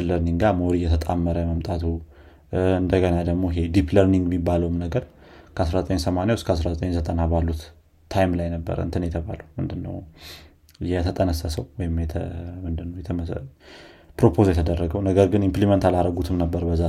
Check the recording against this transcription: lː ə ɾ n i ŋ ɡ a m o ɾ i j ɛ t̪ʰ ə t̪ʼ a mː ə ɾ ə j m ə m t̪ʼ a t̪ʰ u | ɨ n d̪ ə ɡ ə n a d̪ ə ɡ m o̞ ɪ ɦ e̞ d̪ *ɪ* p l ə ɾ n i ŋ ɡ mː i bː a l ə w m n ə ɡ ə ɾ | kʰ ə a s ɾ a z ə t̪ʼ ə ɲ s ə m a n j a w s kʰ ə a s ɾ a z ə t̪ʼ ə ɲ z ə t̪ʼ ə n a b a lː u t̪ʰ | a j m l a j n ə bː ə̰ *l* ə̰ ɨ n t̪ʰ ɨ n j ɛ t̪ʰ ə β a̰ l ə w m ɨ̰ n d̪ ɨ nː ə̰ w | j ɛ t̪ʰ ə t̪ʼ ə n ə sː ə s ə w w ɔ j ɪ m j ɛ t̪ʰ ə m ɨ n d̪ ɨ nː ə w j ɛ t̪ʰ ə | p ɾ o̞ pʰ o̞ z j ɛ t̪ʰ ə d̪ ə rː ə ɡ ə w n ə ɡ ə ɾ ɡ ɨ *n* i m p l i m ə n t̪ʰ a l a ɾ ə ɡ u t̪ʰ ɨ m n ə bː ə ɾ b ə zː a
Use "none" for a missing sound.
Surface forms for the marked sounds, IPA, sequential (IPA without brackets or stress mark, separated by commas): i, ɾ, n